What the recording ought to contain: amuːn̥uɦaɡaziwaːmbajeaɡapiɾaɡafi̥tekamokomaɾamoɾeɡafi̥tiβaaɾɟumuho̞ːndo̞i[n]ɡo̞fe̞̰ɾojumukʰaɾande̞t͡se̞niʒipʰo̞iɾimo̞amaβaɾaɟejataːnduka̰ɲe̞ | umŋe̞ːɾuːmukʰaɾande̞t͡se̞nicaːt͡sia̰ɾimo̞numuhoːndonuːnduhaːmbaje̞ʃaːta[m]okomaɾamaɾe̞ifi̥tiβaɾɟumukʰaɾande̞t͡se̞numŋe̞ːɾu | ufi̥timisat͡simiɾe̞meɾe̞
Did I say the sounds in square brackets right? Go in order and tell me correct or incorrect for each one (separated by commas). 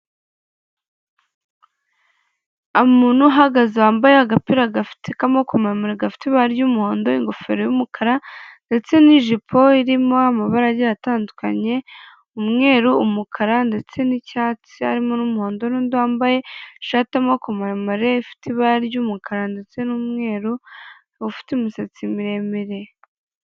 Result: incorrect, correct